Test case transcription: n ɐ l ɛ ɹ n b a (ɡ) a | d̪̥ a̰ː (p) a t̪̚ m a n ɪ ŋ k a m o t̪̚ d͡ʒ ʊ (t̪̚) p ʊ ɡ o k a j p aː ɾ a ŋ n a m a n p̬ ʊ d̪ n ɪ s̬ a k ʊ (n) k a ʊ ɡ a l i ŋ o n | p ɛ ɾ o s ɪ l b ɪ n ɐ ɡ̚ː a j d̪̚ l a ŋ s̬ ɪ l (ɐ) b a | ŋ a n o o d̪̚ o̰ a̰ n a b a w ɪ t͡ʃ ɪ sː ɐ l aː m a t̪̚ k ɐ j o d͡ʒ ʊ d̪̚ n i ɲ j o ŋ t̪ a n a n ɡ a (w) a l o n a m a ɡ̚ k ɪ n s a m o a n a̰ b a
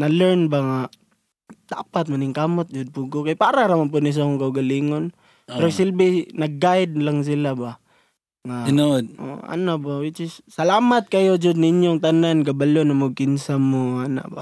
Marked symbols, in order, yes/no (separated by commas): no, yes, no, no, no, no